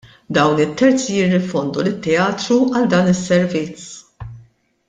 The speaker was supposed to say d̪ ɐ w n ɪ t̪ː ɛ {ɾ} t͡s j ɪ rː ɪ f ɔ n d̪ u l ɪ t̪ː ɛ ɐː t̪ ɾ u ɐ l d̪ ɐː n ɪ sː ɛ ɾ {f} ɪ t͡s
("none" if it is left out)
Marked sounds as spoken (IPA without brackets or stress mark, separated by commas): ɾ, v